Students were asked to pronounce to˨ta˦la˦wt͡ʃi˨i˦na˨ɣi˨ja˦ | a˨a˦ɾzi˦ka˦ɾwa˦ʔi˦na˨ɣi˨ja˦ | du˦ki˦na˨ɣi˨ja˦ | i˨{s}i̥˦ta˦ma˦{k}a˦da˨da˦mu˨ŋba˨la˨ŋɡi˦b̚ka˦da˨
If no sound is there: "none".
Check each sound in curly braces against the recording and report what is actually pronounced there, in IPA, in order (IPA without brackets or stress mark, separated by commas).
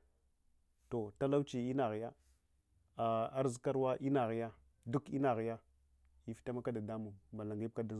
f, k